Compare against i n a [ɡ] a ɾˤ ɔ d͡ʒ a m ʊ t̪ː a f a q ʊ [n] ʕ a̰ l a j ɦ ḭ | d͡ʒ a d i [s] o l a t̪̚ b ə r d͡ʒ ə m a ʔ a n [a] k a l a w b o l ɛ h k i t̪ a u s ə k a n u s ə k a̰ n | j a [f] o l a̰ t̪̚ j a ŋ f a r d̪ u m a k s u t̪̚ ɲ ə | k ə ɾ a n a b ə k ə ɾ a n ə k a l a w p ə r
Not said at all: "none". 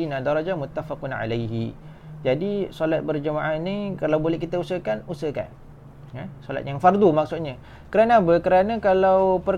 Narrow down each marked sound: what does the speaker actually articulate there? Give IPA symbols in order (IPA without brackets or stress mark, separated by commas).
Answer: d, n, s, i, s